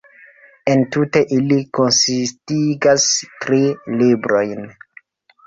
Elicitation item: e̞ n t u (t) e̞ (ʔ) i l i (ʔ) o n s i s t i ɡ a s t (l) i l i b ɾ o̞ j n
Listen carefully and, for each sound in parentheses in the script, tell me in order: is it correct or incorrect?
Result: correct, correct, incorrect: k, incorrect: ɾ

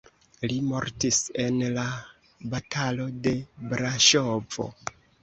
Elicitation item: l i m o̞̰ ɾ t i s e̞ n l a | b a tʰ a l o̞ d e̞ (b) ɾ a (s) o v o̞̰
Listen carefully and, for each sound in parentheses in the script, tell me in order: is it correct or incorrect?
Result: correct, incorrect: ʃ

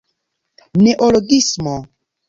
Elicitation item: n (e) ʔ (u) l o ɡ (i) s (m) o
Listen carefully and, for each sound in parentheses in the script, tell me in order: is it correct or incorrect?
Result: correct, incorrect: o, correct, correct

